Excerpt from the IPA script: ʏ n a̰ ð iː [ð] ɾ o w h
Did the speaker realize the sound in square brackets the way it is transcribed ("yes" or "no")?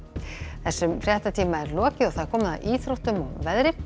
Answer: no